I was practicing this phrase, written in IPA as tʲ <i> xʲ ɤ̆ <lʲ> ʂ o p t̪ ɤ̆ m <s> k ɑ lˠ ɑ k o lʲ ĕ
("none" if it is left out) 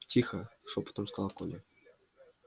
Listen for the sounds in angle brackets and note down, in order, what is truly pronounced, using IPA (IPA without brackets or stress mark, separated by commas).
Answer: i, none, s